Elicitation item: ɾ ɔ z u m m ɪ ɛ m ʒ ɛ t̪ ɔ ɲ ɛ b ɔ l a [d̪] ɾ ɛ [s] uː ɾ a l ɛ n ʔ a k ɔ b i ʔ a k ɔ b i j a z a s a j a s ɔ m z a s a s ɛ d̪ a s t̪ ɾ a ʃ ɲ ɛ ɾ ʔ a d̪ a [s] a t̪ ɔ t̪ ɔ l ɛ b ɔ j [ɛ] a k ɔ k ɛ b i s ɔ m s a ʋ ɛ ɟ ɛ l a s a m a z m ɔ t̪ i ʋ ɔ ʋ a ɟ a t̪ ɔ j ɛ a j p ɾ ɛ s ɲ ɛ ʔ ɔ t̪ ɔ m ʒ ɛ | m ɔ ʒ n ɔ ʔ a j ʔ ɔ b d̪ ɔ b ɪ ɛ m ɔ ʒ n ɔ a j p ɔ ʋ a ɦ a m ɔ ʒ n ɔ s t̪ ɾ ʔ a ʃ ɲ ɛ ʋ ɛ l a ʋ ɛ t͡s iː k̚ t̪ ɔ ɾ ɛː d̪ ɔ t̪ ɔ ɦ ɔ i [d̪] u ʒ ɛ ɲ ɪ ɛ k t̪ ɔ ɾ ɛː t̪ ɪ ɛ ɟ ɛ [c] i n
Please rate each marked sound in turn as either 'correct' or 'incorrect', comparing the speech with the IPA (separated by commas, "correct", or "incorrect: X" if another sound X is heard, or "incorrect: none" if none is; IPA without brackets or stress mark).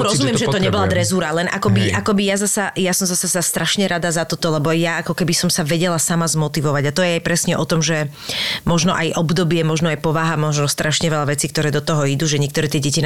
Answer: correct, incorrect: z, incorrect: z, incorrect: a, correct, correct